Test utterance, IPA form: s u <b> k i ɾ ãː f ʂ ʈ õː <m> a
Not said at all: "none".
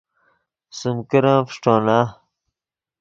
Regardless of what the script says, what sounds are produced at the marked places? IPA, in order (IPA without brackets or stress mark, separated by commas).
m, n